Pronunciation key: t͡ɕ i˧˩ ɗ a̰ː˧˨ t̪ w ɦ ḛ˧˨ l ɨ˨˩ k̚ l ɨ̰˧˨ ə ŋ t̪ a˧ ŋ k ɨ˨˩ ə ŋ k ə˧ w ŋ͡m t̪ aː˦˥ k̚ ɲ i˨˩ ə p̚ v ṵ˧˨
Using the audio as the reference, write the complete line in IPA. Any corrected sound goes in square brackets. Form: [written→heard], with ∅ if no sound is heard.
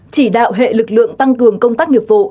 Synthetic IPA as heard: t͡ɕ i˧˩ ɗ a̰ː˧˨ [t̪→∅] w ɦ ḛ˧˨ l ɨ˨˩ k̚ l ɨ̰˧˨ ə ŋ t̪ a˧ ŋ k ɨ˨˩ ə ŋ k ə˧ w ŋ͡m t̪ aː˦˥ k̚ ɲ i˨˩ ə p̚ v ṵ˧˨